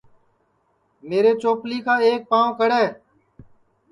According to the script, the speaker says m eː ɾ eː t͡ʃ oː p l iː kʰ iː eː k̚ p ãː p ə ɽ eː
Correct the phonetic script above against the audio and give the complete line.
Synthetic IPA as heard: m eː ɾ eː t͡ʃ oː p l iː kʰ aː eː k̚ p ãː k ə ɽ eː